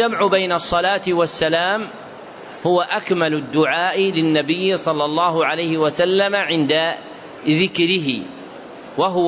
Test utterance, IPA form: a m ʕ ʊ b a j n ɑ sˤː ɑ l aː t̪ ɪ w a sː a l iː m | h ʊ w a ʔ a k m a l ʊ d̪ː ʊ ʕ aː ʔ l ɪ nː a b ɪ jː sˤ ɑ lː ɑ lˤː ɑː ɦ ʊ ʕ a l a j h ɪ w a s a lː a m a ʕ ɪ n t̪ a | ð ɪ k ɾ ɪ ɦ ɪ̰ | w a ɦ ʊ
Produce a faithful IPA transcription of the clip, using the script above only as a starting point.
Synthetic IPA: a m ʕ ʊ b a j n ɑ sˤː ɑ l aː t̪ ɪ w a sː a l aː m | h ʊ w a ʔ a k m a l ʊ d̪ː ʊ ʕ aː ʔ l ɪ nː a b ɪ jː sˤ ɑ lː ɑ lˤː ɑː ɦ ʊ ʕ a l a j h ɪ w a s a lː a m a ʕ ɪ n d̪ a | ð ɪ k ɾ ɪ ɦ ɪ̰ | w a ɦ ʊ